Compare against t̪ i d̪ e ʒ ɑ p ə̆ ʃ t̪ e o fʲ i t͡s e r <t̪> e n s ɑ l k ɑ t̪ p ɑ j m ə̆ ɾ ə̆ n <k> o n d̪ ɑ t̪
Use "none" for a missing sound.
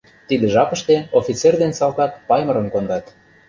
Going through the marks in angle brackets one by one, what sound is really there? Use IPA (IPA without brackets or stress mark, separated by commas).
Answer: d̪, k